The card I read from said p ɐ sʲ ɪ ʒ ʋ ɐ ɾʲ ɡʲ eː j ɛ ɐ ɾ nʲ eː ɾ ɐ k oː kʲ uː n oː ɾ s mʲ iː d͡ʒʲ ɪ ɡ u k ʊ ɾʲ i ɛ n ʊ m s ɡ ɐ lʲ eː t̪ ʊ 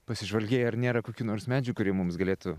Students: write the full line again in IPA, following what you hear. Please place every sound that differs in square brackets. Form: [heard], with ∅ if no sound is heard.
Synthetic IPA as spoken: p ɐ sʲ ɪ ʒ ʋ ɐ [lʲ] ɡʲ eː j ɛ ɐ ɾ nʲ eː ɾ ɐ k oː kʲ uː n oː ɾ s mʲ [æː] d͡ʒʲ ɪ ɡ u k ʊ ɾʲ i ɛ [m] ʊ m s ɡ ɐ lʲ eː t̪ ʊ